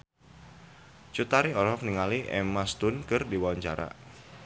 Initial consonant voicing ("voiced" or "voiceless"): voiceless